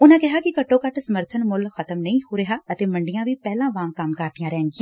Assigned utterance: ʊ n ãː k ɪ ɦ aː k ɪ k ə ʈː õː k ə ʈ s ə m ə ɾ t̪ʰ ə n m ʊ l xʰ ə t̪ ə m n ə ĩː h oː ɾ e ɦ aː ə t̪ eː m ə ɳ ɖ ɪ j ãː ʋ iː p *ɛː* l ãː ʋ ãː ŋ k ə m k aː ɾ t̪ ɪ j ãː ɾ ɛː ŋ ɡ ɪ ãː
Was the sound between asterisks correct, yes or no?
yes